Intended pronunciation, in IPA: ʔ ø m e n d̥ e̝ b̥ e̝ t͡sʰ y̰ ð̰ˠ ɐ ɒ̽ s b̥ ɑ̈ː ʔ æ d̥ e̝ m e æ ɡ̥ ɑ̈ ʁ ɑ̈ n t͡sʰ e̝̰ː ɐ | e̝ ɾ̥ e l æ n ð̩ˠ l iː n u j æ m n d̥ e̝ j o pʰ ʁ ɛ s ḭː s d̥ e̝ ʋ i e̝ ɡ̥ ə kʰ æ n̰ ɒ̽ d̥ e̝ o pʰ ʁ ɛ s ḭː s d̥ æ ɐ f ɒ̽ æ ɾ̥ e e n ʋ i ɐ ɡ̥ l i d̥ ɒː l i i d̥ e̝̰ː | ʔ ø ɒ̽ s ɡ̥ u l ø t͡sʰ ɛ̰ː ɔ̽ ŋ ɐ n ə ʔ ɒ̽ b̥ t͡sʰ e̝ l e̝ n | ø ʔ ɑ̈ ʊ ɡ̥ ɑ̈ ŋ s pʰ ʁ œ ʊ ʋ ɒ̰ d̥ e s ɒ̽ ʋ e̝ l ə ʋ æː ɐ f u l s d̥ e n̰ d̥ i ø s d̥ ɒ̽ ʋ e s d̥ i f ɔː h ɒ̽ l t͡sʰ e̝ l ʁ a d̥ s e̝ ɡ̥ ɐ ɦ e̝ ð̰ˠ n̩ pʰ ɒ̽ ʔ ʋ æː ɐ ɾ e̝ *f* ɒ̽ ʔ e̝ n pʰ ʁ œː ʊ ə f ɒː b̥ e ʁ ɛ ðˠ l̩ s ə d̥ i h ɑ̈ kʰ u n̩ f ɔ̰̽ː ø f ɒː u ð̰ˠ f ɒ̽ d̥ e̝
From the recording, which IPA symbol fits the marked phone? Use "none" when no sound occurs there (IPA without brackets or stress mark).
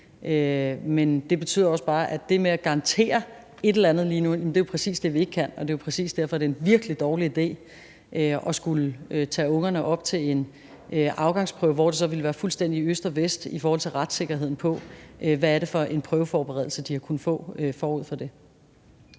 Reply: f